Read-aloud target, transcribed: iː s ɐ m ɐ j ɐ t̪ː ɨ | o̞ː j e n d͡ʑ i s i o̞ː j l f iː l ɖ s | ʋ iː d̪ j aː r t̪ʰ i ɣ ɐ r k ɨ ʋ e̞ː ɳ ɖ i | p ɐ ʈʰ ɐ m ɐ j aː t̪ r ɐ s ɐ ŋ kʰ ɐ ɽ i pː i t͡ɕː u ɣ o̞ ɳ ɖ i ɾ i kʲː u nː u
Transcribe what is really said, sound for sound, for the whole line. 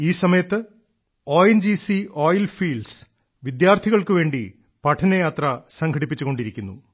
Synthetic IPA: iː s ɐ m ɐ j ɐ t̪ː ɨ | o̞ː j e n d͡ʑ i s i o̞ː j l f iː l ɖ s | ʋ i d̪ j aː r t̪ʰ i ɣ ɐ ɭ k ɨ ʋ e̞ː ɳ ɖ i | p ɐ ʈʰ ɐ n ɐ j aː t̪ r ɐ s ɐ ŋ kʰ ɐ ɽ i pː i t͡ɕː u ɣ o̞ ɳ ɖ i ɾ i kʲː u nː u